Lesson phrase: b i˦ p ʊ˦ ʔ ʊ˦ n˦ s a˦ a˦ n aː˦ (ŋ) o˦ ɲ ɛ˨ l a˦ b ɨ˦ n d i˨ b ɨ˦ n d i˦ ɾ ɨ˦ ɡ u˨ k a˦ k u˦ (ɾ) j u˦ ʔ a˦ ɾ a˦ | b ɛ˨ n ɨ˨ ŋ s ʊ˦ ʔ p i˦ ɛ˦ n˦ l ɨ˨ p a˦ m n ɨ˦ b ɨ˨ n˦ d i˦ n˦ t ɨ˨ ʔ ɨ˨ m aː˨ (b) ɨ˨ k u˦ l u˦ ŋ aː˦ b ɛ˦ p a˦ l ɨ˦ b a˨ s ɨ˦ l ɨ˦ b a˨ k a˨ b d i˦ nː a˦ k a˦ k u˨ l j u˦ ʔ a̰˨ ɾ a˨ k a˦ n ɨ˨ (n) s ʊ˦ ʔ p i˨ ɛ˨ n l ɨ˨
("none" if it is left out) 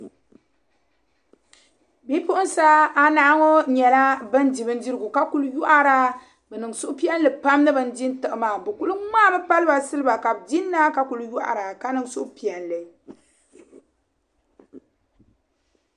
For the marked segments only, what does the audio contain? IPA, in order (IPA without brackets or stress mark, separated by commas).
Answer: ŋ, l, b, ŋ